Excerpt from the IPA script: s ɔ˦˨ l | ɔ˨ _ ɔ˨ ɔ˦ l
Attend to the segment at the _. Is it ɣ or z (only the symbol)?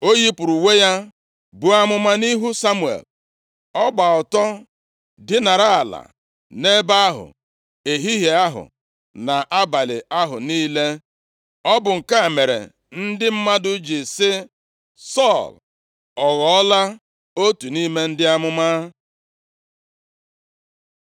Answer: ɣ